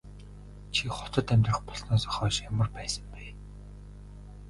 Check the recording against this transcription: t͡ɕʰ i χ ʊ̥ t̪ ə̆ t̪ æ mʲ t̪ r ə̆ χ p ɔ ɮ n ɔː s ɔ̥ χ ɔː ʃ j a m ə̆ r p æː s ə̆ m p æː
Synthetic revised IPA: t͡ɕʰ i χ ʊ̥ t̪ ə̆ t̪ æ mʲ t̪ r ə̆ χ p ɔ ɮ n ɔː s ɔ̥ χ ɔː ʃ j a m ə̆ r p æː s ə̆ m p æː